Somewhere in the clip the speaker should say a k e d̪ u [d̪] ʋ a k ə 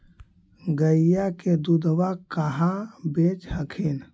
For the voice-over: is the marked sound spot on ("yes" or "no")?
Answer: yes